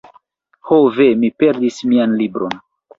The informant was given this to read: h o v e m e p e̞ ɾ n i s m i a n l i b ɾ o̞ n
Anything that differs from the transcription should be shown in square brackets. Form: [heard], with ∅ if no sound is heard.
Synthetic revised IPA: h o v e m [i] p e̞ ɾ [d] i s m i a n l i b ɾ o̞ n